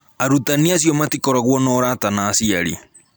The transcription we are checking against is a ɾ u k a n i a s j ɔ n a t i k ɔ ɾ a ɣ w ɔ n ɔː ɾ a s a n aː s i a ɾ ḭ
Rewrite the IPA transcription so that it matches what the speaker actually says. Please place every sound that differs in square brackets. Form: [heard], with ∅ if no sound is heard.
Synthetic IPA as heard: a ɾ u [t] a n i a s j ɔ [m] a t i k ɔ ɾ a ɣ w ɔ n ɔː ɾ a [t] a n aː s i a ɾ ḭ